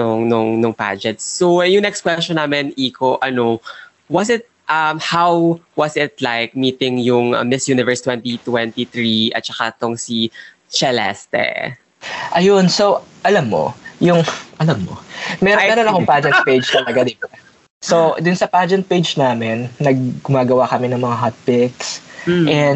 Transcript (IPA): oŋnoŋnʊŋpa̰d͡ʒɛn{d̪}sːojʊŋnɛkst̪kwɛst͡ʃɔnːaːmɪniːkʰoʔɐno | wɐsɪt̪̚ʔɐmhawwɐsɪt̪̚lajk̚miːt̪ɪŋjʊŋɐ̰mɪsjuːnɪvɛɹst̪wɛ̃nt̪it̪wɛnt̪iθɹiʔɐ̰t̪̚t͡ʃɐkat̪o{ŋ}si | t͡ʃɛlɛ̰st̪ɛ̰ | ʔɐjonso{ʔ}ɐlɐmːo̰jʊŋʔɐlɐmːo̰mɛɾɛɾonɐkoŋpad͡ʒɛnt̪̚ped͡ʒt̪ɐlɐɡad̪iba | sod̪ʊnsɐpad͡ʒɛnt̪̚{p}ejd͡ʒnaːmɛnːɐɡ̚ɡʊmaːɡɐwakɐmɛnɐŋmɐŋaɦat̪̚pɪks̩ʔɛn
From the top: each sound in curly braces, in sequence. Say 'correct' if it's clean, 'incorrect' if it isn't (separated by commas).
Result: incorrect, correct, correct, correct